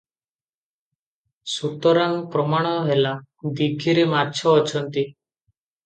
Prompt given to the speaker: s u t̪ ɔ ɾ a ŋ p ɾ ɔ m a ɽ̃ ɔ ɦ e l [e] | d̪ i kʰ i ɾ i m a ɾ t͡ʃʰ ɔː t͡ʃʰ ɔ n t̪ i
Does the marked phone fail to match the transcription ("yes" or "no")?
yes